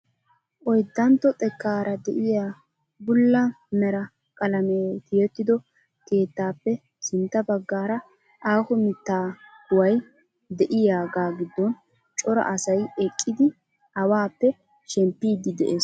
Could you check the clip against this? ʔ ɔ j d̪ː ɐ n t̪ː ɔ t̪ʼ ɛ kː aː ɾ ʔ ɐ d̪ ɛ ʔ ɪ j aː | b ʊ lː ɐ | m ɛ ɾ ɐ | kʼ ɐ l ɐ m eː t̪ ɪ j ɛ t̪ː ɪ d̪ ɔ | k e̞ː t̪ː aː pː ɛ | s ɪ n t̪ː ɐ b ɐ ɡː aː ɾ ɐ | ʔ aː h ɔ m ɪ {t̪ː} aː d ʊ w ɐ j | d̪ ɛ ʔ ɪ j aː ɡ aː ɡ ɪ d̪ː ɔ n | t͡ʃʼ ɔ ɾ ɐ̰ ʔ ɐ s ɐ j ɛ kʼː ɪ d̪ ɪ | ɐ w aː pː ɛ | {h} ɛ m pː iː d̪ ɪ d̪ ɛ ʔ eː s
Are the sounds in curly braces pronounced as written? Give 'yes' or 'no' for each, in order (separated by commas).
yes, no